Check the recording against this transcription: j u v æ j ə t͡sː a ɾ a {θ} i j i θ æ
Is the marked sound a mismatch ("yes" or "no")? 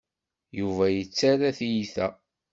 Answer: no